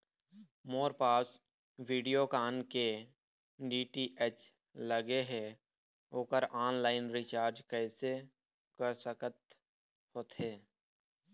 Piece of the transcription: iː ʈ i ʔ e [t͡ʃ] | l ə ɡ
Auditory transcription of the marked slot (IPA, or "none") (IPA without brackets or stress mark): t͡ʃ